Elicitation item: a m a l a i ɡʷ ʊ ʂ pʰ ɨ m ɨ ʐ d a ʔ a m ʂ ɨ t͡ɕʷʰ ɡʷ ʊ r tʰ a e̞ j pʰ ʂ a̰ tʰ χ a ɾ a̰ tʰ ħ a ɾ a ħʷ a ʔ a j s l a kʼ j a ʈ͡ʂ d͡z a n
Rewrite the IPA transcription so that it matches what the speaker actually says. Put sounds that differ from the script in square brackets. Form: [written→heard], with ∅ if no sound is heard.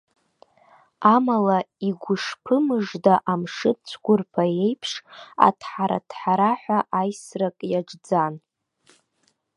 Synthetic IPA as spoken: a m a l a i ɡʷ ʊ ʂ pʰ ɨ m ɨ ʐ d a ʔ a m ʂ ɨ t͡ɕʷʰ ɡʷ ʊ r [tʰ→pʰ] a e̞ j pʰ ʂ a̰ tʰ [χ→ħ] a ɾ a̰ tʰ ħ a ɾ a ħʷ a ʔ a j s [l→r] a kʼ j a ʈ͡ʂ d͡z a n

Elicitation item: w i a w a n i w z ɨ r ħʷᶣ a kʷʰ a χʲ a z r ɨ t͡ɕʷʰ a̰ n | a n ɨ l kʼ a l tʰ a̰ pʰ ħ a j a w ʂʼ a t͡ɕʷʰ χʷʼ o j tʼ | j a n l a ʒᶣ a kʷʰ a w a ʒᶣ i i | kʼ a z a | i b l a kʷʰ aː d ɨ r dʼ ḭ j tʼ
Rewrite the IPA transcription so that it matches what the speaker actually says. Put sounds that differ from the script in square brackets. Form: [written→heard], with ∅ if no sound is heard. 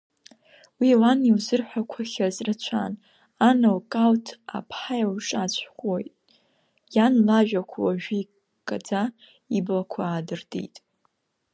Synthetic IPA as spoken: w i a w a n i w z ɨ r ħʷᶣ a kʷʰ a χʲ a z r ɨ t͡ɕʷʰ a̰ n | a n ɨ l kʼ a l tʰ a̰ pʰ ħ a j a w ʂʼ a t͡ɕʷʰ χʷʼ o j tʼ | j a n l a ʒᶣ a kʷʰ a w a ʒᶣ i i | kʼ a [z→d͡z] a | i b l a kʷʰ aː d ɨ r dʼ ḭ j tʼ

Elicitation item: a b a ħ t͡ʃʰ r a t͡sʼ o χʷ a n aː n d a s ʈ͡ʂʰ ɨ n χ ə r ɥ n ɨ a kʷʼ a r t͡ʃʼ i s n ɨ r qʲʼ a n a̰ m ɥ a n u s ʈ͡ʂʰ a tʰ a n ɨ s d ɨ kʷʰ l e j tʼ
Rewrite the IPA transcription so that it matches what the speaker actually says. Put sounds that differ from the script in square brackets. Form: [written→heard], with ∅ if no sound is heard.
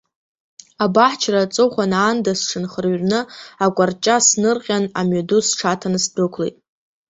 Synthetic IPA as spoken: a b a ħ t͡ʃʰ r a t͡sʼ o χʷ a n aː n d a s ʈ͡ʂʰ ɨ n χ ə r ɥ n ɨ a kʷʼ a r t͡ʃʼ [i→a] s n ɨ r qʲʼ a n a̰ m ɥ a [n→d] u s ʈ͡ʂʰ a tʰ a n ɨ s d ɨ kʷʰ l e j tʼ

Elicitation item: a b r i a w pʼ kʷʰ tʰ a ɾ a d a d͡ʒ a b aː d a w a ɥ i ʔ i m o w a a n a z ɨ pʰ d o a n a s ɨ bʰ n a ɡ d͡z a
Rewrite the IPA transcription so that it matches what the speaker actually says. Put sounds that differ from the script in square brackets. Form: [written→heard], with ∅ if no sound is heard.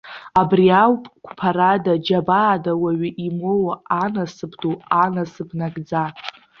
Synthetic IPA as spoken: a b r i a w pʼ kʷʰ [tʰ→pʰ] a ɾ a d a d͡ʒ a b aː d a w a ɥ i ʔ i m o w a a n a [z→s] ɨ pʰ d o a n a s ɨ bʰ n a ɡ d͡z a

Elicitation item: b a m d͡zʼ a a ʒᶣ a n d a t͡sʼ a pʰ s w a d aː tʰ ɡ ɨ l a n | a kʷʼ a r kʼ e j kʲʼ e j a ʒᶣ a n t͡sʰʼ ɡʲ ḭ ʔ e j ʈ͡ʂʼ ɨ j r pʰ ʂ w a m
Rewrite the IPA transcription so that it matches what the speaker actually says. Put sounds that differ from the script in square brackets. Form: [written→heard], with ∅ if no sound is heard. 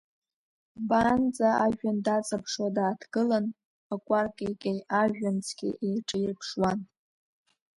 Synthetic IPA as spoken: b a [m→n] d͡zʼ a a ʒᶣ a n d a t͡sʼ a pʰ [s→ʂ] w a d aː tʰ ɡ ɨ l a n | a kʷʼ a r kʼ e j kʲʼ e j a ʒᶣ a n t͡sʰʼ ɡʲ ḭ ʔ e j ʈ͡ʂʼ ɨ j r pʰ ʂ w a [m→n]

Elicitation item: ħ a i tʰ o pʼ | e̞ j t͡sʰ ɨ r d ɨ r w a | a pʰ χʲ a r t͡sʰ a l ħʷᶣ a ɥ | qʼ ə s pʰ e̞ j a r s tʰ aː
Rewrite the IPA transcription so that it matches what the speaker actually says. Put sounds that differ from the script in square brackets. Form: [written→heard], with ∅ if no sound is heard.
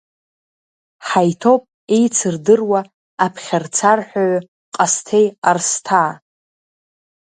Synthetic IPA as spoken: ħ a [i→j] tʰ o pʼ | e̞ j t͡sʰ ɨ r d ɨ r w a | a pʰ χʲ a r t͡sʰ a [l→r] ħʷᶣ a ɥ | qʼ [ə→a] s [pʰ→tʰ] e̞ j a r s tʰ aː

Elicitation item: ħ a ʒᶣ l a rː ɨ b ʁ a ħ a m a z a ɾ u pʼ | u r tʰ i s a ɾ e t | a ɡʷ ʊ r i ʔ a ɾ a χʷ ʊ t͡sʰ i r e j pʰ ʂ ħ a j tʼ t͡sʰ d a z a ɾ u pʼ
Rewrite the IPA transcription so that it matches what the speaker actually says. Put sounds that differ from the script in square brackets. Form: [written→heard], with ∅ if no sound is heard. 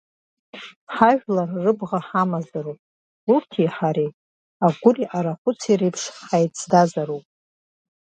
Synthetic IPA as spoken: ħ a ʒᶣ l a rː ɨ b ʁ a ħ a m a z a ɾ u pʼ | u r tʰ i [s→ħ] a ɾ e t | a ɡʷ ʊ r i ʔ a ɾ a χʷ ʊ t͡sʰ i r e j pʰ ʂ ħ a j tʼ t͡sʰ d a z a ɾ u pʼ

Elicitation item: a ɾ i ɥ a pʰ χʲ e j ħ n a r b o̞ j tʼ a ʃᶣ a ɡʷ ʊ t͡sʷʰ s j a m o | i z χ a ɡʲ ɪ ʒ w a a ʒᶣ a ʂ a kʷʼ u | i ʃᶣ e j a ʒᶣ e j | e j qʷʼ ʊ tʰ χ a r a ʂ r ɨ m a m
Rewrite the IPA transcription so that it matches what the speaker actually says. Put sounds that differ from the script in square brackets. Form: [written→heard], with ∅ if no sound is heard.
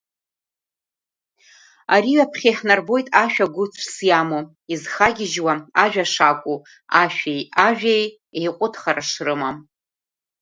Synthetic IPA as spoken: a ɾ i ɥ a pʰ χʲ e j ħ n a r b o̞ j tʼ a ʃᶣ a ɡʷ ʊ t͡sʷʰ s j a m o | i z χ a ɡʲ ɪ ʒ w a a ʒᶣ a ʂ a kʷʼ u | [i→a] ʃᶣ e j a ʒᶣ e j | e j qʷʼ ʊ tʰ χ a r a ʂ r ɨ m a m

